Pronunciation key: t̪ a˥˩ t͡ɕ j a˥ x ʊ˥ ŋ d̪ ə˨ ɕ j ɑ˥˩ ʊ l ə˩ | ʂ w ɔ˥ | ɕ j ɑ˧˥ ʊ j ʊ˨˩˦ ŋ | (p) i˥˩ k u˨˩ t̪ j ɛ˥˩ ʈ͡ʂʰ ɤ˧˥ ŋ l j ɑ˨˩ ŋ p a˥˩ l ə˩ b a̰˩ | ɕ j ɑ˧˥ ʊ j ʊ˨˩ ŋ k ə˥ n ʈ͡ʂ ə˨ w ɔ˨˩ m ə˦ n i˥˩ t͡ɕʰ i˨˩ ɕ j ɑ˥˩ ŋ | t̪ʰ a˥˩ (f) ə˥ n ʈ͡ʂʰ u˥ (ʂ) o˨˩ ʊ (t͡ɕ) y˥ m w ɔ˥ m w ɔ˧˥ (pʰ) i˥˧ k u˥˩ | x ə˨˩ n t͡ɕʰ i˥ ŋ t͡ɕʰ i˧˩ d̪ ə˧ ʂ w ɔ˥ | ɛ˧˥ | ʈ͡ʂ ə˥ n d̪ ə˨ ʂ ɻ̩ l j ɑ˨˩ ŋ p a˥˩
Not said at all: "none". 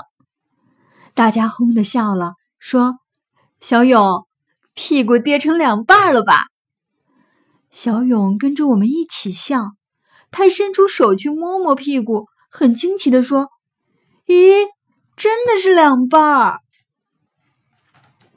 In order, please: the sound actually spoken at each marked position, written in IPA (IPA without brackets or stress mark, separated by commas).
pʰ, ʂ, ʂ, t͡ɕʰ, pʰ